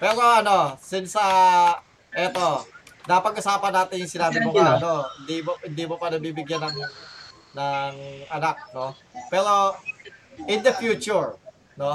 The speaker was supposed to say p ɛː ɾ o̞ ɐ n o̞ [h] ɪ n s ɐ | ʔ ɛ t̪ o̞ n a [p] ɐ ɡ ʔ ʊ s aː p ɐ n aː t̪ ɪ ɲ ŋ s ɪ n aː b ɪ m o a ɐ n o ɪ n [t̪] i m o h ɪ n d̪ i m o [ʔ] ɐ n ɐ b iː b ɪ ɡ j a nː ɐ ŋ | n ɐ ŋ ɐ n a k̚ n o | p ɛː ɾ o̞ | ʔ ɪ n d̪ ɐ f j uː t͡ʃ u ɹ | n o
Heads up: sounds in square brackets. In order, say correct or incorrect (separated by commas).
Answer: incorrect, correct, incorrect, incorrect